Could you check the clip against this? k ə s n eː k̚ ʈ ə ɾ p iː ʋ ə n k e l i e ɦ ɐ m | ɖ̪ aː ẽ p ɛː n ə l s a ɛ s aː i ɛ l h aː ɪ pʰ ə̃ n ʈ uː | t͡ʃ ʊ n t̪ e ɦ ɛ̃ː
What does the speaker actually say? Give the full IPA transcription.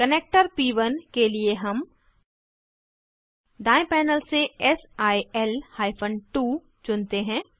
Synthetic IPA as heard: k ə n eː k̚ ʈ ə ɾ p iː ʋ ə n k e l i e ɦ ɐ m | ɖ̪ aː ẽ p ɛː n ə l s e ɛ s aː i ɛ l h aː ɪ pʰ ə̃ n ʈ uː | t͡ʃ ʊ n t̪ e ɦ ɛ̃ː